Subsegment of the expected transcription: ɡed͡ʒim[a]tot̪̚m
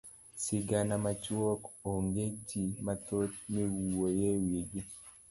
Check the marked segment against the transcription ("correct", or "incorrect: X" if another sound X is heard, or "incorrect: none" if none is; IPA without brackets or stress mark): correct